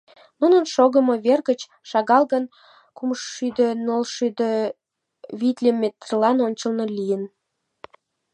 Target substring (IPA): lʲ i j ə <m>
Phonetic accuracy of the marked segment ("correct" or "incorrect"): incorrect